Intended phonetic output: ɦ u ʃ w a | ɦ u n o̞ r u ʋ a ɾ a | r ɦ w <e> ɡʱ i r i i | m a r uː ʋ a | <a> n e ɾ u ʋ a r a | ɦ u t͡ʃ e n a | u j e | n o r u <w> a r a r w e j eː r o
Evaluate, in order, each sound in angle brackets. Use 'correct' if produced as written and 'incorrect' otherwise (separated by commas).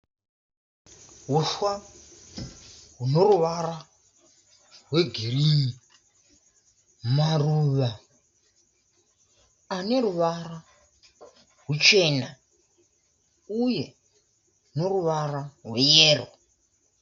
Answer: correct, correct, incorrect